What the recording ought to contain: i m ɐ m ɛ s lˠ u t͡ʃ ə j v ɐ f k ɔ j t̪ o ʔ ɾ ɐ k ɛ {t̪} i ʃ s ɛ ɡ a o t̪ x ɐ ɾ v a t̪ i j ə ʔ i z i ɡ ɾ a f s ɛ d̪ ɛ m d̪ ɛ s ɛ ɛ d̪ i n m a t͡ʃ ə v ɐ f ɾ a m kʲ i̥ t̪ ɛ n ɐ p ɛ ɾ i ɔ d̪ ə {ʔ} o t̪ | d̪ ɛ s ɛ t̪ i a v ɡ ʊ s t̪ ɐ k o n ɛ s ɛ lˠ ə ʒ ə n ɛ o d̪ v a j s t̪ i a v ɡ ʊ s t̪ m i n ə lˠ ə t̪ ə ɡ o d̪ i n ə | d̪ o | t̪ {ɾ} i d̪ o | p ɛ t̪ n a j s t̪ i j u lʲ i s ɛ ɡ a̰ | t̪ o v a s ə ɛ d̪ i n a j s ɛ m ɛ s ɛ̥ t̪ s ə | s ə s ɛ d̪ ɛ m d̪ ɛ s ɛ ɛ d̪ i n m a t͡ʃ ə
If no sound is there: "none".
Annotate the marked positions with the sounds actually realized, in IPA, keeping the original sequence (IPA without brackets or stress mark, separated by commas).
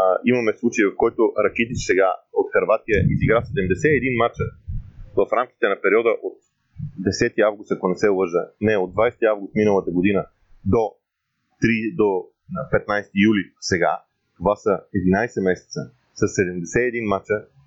t̪, ʔ, ɾ